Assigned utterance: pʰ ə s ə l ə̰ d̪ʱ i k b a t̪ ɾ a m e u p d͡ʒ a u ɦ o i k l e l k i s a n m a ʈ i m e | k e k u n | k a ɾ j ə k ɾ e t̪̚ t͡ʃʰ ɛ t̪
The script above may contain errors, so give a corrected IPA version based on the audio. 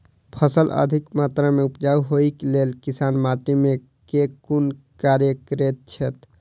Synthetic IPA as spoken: pʰ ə s ə l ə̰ d̪ʱ i k m a t̪ ɾ a m e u p d͡ʒ a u ɦ o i k l e l k i s a n m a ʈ i m e | k e k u n | k a ɾ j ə k ɾ e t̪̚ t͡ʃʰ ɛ t̪